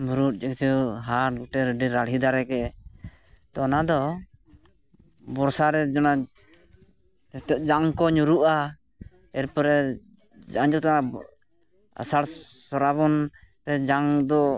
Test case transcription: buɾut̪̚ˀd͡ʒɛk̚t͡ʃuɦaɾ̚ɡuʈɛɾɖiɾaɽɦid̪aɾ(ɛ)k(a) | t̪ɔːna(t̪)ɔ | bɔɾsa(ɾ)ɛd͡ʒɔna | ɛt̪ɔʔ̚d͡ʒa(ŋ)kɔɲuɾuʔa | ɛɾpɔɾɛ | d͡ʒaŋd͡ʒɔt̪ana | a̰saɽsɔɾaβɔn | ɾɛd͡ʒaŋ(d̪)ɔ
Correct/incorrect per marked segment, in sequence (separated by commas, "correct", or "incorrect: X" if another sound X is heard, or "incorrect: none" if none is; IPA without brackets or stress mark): correct, incorrect: ɛ, incorrect: d̪, correct, correct, correct